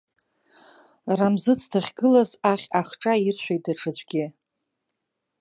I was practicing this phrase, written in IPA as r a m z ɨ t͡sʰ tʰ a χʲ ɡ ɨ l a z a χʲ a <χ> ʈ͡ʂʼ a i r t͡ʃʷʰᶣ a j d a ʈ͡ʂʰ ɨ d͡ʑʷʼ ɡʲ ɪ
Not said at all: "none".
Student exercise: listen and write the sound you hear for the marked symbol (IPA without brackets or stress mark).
χ